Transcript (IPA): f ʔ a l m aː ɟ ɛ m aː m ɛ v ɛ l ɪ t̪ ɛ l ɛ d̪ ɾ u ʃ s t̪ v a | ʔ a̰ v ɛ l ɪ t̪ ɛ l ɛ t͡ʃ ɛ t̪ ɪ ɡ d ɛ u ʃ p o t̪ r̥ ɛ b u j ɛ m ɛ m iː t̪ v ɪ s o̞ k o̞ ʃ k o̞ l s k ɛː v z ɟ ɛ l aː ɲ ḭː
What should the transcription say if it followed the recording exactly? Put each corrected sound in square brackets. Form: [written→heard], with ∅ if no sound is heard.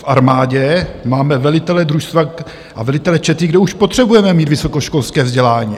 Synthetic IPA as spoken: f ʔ a [l→ɾ] m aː ɟ ɛ m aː m ɛ v ɛ l ɪ t̪ ɛ l ɛ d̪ ɾ u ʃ s t̪ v a | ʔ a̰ v ɛ l ɪ t̪ ɛ l ɛ t͡ʃ ɛ t̪ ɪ ɡ d ɛ u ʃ p o t̪ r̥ ɛ b u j ɛ m ɛ m iː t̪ v ɪ s o̞ k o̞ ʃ k o̞ l s k ɛː v z ɟ ɛ l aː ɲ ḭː